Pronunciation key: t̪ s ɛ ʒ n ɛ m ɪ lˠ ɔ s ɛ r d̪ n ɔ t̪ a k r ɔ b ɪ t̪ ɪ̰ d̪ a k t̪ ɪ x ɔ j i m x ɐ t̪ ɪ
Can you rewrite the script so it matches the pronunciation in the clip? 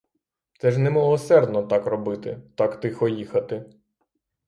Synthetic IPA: t̪ s ɛ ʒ n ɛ m ɪ lˠ ɔ s ɛ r d̪ n ɔ t̪ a k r ɔ b ɪ t̪ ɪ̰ t̪ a k t̪ ɪ x ɔ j i x ɐ t̪ ɪ